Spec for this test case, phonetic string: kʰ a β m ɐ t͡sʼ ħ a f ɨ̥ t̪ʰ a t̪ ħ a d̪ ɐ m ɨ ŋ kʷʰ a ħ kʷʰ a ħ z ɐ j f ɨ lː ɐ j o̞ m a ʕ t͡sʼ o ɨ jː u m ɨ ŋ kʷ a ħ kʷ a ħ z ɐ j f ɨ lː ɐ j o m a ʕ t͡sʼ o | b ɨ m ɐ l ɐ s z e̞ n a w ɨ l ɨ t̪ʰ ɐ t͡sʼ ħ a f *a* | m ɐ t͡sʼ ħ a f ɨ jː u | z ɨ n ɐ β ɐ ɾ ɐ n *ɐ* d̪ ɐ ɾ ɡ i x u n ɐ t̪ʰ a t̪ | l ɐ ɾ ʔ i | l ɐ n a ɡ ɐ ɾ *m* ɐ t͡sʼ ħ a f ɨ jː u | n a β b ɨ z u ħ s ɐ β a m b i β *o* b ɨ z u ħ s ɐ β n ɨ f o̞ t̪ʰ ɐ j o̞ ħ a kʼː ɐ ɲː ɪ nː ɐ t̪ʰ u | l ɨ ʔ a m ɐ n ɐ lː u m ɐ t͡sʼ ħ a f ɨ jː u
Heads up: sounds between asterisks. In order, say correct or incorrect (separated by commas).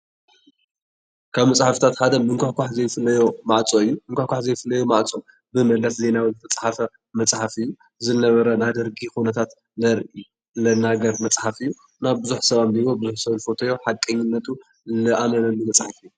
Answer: incorrect, incorrect, correct, correct